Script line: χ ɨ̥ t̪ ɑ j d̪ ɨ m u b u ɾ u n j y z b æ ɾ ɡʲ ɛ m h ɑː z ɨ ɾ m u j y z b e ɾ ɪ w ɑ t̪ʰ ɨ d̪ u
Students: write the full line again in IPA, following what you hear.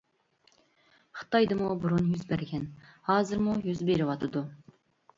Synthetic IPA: χ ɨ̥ t̪ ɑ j d̪ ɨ m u b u ɾ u n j y z b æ ɾ ɡʲ ɛ n h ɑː z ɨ ɾ m u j y z b e ɾ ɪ w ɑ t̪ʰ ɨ d̪ u